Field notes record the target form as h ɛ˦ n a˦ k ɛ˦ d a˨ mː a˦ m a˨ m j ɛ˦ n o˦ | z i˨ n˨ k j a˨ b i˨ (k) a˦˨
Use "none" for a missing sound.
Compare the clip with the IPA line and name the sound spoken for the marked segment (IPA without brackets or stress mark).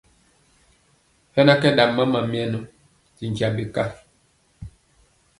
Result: k